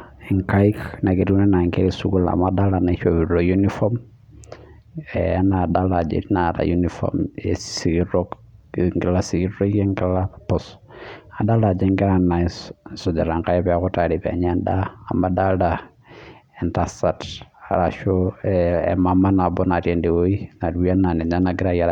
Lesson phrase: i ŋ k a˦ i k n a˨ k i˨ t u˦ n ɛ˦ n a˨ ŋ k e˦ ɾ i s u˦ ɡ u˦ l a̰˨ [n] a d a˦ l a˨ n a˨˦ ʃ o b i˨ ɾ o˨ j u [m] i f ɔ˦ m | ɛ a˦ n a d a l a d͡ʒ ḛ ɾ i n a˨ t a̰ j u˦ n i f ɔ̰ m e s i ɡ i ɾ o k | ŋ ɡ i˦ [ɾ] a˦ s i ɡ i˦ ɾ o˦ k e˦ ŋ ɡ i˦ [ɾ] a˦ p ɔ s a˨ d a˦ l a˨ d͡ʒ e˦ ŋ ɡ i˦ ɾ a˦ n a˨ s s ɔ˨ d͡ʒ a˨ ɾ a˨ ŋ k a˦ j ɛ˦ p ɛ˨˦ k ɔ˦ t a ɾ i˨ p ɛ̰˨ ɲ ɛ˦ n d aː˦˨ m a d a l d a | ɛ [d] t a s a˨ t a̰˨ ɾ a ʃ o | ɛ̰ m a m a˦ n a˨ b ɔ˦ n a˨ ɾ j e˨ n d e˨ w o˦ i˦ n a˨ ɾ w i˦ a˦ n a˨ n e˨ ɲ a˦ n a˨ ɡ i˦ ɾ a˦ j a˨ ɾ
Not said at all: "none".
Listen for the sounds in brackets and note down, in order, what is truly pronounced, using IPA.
m, n, l, l, n

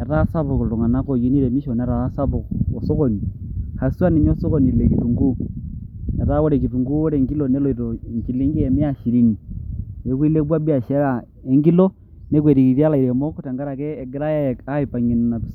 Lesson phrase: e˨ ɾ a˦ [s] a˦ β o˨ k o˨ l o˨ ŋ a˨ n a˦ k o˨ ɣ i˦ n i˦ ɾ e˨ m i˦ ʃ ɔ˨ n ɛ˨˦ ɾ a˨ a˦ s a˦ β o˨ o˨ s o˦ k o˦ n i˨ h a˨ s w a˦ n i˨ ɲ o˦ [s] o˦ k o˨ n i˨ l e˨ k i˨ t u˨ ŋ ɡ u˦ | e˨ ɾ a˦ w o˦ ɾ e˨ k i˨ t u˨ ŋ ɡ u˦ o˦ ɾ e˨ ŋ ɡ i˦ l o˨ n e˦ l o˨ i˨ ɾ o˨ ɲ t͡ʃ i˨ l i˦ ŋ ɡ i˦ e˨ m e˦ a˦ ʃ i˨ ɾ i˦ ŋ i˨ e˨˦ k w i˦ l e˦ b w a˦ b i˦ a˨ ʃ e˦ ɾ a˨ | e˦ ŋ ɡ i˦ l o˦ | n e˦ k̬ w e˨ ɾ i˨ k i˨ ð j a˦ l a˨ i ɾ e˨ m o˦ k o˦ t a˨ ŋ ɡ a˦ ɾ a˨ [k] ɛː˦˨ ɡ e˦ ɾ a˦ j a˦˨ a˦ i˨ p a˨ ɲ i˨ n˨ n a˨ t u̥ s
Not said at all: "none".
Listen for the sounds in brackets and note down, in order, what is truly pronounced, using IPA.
s, s, k

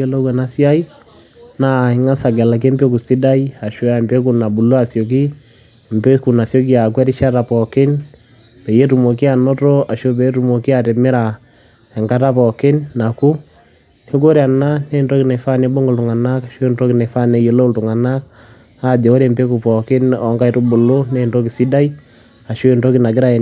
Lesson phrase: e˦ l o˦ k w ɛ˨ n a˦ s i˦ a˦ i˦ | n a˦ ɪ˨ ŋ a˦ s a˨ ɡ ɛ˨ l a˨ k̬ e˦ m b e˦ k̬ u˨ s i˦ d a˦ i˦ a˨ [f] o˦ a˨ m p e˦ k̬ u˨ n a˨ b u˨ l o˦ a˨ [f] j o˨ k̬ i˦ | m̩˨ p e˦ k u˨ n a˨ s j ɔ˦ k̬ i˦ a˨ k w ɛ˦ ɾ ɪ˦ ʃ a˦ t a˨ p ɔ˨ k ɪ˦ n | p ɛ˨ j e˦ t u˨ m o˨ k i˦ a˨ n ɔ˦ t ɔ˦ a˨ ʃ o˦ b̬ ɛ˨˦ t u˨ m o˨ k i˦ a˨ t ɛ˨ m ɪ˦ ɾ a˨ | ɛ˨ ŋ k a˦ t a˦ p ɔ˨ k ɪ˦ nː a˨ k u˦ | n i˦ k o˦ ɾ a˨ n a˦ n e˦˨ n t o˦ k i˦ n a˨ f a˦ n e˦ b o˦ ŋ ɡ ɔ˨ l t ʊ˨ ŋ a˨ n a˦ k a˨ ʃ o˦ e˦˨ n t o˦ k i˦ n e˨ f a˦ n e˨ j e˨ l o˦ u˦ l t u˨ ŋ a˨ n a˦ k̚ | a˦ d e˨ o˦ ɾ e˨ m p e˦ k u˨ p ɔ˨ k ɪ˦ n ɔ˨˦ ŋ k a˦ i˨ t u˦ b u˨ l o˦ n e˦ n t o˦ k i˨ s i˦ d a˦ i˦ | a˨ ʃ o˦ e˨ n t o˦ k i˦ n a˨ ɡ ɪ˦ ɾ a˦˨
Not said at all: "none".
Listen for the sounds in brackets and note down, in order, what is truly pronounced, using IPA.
ʃ, s

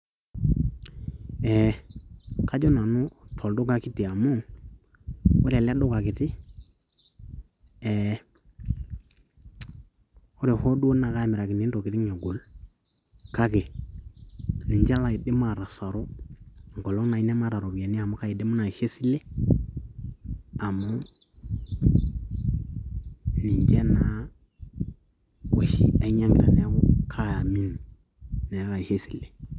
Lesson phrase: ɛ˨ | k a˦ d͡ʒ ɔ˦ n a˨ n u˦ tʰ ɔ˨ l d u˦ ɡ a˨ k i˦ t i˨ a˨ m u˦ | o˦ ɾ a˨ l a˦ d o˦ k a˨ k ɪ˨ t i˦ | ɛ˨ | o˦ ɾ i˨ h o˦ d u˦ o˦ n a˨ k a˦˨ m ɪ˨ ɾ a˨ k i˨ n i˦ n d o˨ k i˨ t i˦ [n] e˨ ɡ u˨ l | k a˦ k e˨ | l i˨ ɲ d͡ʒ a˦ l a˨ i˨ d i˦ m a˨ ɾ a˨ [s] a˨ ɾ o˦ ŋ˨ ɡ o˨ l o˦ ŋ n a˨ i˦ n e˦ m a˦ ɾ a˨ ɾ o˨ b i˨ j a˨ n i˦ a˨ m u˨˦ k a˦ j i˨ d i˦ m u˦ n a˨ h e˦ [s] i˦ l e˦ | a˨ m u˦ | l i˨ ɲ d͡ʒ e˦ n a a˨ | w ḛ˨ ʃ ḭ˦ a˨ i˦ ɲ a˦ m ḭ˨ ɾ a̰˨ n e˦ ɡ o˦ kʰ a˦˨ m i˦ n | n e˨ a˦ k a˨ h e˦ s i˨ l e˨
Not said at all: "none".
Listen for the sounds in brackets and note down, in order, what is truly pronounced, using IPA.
ŋ, s, s

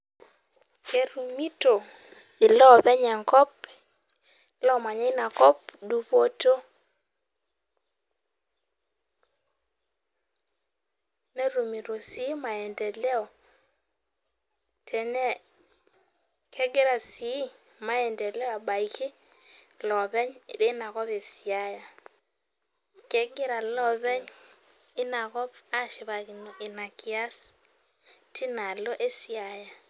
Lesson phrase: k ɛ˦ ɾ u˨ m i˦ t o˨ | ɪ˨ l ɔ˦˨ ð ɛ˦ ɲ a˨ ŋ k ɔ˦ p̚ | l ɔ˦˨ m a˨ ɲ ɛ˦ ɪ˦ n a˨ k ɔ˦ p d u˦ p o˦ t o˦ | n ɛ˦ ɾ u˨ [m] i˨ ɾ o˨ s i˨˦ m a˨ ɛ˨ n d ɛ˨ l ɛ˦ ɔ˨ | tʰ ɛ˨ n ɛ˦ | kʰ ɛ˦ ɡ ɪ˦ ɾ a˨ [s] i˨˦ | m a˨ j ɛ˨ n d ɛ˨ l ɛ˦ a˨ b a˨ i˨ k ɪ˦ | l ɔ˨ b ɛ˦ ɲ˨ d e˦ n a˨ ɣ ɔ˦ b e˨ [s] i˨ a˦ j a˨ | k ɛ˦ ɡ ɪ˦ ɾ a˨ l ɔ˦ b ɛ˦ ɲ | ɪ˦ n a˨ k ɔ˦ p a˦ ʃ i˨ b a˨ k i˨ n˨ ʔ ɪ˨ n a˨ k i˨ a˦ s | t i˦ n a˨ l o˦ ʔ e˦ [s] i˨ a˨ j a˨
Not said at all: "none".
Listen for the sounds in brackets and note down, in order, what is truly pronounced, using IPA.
m, s, s, s

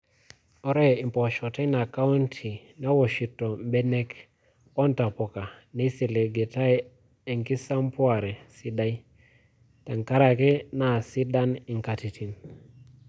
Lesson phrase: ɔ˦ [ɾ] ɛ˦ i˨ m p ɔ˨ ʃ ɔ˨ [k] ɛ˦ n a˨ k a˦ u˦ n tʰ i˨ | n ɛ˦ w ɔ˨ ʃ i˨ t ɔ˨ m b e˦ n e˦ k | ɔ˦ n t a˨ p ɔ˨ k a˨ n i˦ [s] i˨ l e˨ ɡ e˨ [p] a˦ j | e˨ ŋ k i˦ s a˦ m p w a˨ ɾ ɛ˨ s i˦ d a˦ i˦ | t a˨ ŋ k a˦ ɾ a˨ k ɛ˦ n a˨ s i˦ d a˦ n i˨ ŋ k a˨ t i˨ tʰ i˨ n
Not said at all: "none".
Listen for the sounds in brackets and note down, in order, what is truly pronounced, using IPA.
ɾ, t, s, t

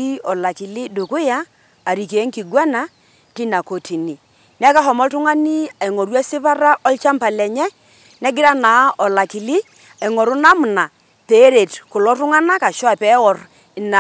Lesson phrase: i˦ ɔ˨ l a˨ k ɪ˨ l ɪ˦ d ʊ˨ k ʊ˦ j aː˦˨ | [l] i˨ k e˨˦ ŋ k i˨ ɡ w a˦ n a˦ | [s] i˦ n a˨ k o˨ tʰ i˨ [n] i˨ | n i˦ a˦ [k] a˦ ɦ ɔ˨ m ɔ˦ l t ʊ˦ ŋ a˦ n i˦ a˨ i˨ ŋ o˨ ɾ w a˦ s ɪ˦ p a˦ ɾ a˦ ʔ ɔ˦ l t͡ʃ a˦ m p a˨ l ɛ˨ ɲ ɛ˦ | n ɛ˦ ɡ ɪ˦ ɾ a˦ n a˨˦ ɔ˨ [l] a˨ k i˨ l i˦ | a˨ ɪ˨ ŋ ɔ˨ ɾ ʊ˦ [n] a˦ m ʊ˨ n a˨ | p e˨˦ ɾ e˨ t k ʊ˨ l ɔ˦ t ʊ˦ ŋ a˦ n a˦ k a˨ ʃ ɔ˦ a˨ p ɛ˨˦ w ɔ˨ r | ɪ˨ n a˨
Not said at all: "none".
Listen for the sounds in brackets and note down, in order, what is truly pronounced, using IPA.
ɾ, t, n, k, l, n

